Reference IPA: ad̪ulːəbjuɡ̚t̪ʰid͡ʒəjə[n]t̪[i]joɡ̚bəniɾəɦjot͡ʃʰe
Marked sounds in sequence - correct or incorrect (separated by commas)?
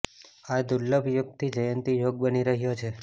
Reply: correct, correct